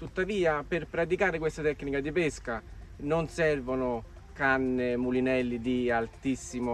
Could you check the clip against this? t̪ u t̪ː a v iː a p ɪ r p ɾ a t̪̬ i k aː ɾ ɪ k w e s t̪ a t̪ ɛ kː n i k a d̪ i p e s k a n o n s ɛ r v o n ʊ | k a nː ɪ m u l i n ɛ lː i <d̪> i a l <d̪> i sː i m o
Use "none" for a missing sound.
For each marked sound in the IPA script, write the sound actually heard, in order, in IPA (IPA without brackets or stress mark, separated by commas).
d̪, t̪